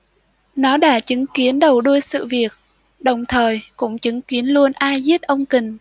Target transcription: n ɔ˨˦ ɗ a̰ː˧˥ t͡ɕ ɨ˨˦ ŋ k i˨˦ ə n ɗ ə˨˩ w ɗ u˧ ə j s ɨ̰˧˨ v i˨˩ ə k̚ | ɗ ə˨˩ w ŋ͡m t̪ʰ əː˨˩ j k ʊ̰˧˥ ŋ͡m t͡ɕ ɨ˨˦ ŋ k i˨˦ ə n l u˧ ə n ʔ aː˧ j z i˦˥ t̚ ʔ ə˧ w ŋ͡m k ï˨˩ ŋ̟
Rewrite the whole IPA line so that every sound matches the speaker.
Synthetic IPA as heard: n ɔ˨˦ ɗ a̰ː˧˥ t͡ɕ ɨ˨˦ ŋ k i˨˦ ə n ɗ ə˨˩ w ɗ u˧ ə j s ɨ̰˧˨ v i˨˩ ə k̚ | ɗ ə˨˩ w ŋ͡m t̪ʰ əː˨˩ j k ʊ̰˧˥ ŋ͡m t͡ɕ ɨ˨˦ ŋ k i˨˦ ə n l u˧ ə n ʔ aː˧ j z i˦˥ t̚ ʔ ə˧ w ŋ͡m k ï˨˩ ŋ̟